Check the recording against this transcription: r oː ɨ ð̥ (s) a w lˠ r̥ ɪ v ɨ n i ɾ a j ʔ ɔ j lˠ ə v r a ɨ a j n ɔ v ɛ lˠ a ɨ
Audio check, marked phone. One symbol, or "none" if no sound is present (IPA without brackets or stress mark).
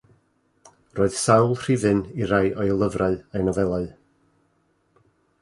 s